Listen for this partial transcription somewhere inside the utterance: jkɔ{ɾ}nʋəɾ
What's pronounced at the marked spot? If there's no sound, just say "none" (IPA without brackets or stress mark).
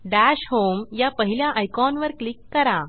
none